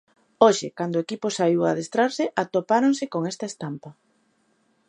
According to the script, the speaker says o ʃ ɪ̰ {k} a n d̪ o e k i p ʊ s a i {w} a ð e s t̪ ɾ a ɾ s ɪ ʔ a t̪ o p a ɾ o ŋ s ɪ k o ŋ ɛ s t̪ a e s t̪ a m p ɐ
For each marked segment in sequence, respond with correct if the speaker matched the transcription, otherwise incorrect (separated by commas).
correct, correct